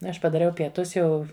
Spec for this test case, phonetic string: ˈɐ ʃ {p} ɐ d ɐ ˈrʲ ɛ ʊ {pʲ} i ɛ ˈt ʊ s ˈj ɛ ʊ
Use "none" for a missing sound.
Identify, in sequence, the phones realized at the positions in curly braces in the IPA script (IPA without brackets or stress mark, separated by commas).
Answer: p, pʲ